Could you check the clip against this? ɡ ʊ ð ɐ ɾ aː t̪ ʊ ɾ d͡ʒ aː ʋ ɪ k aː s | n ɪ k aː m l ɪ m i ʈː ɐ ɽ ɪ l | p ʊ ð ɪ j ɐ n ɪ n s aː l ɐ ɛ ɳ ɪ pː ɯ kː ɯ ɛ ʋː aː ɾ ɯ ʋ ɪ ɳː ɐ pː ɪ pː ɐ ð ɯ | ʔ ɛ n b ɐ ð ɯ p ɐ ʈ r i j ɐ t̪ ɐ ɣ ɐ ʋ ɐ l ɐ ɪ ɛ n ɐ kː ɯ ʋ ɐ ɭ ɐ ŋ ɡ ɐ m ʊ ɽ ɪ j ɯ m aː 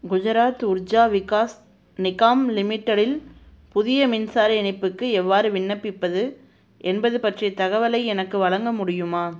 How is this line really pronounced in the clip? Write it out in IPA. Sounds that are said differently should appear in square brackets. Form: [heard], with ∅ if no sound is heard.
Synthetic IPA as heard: ɡ ʊ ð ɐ ɾ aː t̪ ʊ ɾ d͡ʒ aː ʋ ɪ k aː s | n ɪ k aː m l ɪ m [ɪ] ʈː ɐ ɽ ɪ l | p ʊ ð ɪ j ɐ [m] ɪ n s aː [ɾ] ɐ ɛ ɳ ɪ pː ɯ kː ɯ ɛ ʋː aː ɾ ɯ ʋ ɪ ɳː ɐ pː ɪ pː ɐ ð ɯ | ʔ ɛ n b ɐ ð ɯ p ɐ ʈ r i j ɐ t̪ ɐ ɣ ɐ ʋ ɐ l ɐ ɪ ɛ n ɐ kː ɯ ʋ ɐ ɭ ɐ ŋ ɡ ɐ m ʊ ɽ ɪ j ɯ m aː